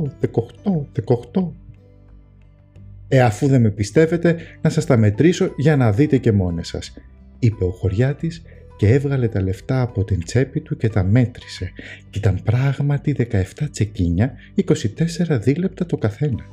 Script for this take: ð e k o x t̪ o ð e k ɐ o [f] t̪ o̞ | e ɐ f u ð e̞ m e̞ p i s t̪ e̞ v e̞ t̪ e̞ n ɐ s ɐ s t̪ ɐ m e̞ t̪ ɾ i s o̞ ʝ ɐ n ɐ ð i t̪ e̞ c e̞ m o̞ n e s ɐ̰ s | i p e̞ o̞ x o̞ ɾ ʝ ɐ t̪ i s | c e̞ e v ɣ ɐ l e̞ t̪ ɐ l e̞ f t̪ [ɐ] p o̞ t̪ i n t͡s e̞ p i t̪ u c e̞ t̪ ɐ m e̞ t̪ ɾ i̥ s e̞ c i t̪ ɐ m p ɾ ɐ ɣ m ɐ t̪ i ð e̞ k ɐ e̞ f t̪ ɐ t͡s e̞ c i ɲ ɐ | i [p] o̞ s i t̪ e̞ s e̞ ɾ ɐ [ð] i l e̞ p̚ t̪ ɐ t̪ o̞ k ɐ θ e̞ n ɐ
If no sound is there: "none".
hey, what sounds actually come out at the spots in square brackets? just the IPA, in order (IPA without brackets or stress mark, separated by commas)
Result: x, ɐː, k, ð